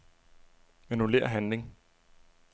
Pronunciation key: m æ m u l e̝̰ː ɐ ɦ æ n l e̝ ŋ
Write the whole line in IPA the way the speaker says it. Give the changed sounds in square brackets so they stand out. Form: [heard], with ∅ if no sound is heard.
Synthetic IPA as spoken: m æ [n] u l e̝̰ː ɐ ɦ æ n l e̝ ŋ